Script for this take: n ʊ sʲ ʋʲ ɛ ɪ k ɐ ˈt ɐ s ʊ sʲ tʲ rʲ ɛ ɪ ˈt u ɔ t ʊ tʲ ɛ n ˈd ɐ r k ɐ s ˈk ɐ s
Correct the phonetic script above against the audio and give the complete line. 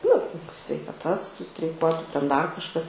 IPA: n ʊ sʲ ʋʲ ɛ ɪ k ɐ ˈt ɐ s ʊ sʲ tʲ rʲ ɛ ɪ ˈk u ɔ t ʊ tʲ ɛ n ˈd ɐ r k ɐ ʃ ˈk ɐ s